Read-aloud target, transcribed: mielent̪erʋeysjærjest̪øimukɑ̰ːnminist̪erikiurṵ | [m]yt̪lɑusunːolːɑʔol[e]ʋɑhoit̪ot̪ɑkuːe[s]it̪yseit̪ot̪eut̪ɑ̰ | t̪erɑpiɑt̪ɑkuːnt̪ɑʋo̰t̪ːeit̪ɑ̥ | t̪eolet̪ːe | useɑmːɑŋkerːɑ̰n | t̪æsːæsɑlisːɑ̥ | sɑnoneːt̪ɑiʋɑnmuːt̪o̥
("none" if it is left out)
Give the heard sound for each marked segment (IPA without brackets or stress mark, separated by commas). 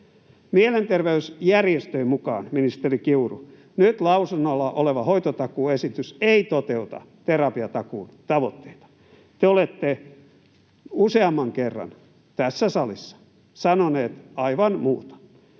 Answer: n, e, s